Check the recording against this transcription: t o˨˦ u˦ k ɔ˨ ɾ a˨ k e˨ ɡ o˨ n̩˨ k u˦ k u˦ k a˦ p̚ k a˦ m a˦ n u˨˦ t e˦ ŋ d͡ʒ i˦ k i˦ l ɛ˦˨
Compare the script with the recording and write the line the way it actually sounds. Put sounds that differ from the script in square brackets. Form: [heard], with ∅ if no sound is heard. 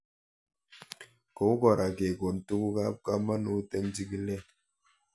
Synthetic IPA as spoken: [k] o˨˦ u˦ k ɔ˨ ɾ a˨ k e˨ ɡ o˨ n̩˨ [t] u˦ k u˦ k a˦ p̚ k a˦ m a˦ n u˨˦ t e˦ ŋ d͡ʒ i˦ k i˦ l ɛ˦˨